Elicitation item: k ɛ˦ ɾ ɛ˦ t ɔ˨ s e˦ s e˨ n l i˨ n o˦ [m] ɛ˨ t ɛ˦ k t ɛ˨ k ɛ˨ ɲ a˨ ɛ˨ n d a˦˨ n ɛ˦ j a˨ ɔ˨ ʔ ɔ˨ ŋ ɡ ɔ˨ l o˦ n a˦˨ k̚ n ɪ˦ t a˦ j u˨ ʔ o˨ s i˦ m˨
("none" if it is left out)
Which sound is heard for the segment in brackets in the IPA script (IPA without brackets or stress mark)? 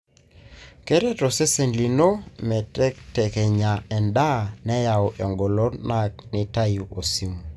m